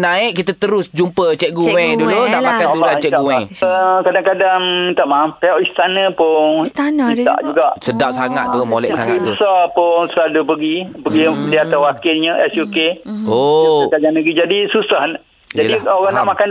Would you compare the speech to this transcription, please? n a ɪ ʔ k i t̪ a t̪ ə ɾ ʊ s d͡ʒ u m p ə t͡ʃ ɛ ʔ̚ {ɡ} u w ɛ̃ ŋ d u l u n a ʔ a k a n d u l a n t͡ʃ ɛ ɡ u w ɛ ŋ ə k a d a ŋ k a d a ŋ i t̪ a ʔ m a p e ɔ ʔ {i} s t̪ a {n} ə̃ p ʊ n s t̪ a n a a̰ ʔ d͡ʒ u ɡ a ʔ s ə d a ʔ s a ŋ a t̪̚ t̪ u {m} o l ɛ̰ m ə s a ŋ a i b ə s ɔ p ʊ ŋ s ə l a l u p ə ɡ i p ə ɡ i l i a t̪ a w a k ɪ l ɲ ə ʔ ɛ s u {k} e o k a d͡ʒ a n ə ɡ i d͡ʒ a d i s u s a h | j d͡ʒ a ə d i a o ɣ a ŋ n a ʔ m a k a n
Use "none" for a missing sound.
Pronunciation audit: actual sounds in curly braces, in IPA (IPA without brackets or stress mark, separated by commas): ɡ, i, n, m, k